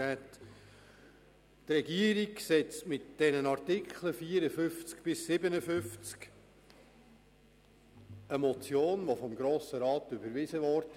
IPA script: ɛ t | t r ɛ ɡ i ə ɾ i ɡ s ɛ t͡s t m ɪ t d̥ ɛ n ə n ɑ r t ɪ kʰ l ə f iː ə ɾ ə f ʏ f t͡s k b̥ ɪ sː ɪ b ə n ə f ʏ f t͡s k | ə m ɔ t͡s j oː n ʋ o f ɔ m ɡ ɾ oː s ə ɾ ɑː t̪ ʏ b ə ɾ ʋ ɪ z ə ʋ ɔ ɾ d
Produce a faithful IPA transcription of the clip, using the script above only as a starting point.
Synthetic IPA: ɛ t | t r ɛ ɡ i ə ɾ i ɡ s ɛ t͡s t m ɪ t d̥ ɛ n ə n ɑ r t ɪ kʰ l ə f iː ə ɾ ə f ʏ f t͡s k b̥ ɪ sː ɪ b ə n ə f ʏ f t͡s k | ə m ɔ t͡s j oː n ʋ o f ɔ m ɡ ɾ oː s ə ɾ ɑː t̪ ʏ b ə ɾ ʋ ɪ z ə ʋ ɔ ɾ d